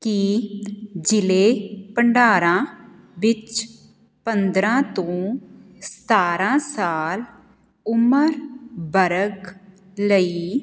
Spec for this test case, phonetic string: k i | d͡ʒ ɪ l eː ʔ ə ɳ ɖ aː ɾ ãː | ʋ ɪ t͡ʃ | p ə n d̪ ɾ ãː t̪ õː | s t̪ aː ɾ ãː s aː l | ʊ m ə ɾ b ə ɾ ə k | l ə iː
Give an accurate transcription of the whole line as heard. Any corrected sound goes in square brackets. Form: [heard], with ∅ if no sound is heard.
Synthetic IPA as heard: k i | d͡ʒ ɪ l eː [p] ə ɳ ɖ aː ɾ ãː | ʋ ɪ t͡ʃ | p ə n d̪ ɾ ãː t̪ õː | s t̪ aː ɾ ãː s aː l | ʊ m ə ɾ b ə ɾ ə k | l ə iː

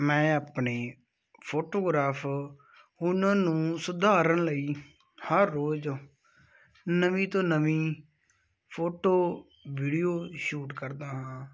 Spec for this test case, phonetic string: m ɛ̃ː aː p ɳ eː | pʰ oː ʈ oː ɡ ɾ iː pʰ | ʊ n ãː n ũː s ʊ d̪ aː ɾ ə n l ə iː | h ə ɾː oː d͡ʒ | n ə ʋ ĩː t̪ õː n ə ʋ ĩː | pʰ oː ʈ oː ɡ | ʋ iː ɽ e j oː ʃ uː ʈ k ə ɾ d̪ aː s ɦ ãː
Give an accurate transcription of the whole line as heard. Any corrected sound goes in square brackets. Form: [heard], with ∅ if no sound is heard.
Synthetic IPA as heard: m ɛ̃ː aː p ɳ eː | pʰ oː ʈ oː ɡ ɾ [aː] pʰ | ʊ n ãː n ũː s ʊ d̪ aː ɾ ə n l ə iː | h ə ɾː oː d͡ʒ | n ə ʋ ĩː t̪ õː n ə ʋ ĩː | pʰ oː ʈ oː [∅] | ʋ iː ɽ [i] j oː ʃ uː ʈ k ə ɾ d̪ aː [∅] ɦ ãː

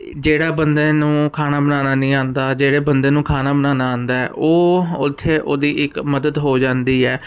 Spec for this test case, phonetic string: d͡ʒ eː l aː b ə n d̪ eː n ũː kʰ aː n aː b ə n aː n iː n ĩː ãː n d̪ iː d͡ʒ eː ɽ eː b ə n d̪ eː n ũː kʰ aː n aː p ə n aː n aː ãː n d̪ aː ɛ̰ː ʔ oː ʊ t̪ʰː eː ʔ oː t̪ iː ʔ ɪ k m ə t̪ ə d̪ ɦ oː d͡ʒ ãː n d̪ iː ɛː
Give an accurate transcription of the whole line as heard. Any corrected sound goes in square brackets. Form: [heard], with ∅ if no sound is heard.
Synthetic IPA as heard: d͡ʒ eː [ɽ] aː b ə n d̪ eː n ũː kʰ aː n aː b ə n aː n [aː] n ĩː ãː n d̪ [aː] d͡ʒ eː ɽ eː b ə n d̪ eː n ũː kʰ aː n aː [b] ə n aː n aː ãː n d̪ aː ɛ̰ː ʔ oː ʊ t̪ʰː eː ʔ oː [d̪] iː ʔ ɪ k m ə [d̪] ə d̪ ɦ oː d͡ʒ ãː n d̪ iː ɛː

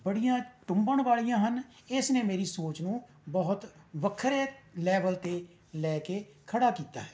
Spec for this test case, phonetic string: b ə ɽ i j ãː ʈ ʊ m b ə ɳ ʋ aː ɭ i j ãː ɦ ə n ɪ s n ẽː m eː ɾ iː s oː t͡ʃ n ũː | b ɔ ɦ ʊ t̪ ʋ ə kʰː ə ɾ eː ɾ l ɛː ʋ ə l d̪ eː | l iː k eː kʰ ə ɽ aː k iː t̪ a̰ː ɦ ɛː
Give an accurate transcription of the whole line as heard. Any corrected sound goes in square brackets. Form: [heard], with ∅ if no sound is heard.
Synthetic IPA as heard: b ə ɽ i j ãː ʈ ʊ m b ə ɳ ʋ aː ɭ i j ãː ɦ ə n ɪ s n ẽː m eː ɾ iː s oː t͡ʃ n ũː | b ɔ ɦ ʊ t̪ ʋ ə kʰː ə ɾ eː [∅] l ɛː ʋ ə l [t̪] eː | l [ɛː] k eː kʰ ə ɽ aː k iː t̪ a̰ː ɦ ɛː

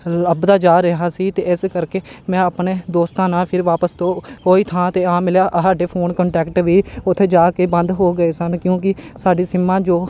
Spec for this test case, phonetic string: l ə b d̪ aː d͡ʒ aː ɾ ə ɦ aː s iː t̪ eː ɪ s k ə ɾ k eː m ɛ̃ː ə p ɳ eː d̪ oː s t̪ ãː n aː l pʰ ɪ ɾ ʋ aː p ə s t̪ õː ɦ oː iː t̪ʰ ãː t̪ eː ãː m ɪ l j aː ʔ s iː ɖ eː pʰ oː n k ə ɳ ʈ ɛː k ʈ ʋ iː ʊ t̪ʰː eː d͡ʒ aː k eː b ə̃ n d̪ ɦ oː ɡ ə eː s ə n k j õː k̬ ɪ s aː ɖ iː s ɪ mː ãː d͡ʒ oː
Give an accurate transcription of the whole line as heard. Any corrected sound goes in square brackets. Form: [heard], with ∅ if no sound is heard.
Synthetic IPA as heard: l ə b d̪ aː d͡ʒ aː ɾ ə ɦ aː s iː t̪ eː ɪ s k ə ɾ k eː m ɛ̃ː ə p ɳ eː d̪ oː s t̪ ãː n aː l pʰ ɪ ɾ ʋ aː p ə s t̪ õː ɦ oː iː t̪ʰ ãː t̪ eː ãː m ɪ l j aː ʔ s [aː] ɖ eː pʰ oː n k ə ɳ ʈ ɛː k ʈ ʋ iː ʊ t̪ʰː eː d͡ʒ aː k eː b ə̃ n d̪ ɦ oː ɡ ə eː s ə n k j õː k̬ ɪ s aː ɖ iː s ɪ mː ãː d͡ʒ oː

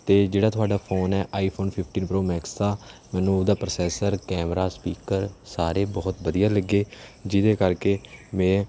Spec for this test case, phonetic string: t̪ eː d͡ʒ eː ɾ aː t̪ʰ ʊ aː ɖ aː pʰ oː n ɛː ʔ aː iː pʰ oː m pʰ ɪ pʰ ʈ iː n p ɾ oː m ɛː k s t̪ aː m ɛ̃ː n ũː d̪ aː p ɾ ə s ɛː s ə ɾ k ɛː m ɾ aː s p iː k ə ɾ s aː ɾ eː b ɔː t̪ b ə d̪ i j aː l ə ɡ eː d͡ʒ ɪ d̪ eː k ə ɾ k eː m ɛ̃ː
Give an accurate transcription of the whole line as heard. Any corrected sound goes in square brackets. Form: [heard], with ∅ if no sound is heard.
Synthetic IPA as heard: t̪ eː d͡ʒ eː [ɽ] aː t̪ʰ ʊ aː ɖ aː pʰ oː n ɛː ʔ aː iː pʰ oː [n] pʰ ɪ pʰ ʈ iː n p ɾ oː m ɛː k s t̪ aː m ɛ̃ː n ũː d̪ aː p ɾ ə s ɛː s ə ɾ k ɛː m ɾ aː s p iː k ə ɾ s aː ɾ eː b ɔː t̪ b ə d̪ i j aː l ə ɡ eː d͡ʒ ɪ d̪ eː k ə ɾ k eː m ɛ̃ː

